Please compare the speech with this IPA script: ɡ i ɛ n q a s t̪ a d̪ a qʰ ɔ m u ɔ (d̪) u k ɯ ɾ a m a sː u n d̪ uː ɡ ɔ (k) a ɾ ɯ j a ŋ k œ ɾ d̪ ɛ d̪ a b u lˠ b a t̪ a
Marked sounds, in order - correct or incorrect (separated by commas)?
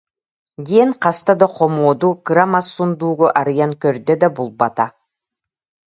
correct, incorrect